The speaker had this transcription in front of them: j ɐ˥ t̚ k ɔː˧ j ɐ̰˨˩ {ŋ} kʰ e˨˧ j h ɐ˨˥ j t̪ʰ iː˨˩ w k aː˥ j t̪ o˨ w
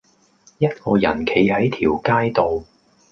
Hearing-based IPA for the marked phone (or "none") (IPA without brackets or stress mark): n